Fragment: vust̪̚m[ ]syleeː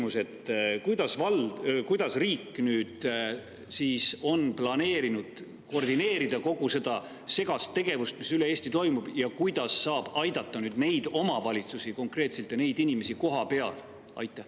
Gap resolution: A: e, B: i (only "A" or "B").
B